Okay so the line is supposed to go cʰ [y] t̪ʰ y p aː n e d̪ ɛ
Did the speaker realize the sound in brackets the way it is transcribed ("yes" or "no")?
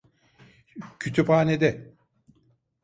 yes